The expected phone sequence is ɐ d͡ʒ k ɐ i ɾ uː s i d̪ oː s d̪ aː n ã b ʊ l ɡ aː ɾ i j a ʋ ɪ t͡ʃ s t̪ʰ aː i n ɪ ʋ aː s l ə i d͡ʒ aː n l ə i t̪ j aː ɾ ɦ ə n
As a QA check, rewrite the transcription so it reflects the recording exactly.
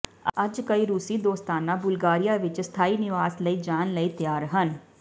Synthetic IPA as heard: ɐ d͡ʒ k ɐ i ɾ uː s i d̪ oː s t̪ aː n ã b ʊ l ɡ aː ɾ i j a ʋ ɪ t͡ʃ s t̪ʰ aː i n ɪ ʋ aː s l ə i d͡ʒ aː n l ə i t̪ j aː ɾ ɦ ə n